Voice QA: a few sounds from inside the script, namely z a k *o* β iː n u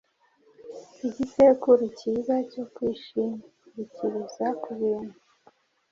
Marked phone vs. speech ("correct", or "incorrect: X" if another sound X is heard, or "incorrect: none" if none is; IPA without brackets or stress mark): incorrect: u